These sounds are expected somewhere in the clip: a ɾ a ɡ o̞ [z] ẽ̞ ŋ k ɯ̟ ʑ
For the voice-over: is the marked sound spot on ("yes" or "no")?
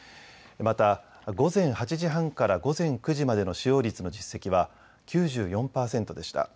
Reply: yes